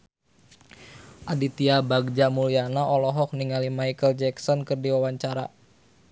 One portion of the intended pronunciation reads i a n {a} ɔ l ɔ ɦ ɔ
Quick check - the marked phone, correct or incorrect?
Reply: correct